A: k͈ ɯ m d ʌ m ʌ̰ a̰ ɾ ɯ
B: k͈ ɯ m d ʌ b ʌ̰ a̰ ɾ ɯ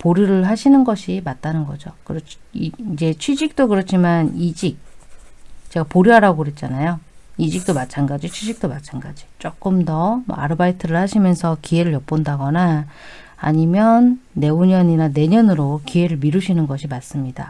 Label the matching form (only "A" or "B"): A